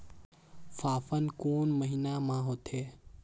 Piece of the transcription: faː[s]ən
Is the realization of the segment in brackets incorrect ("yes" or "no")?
yes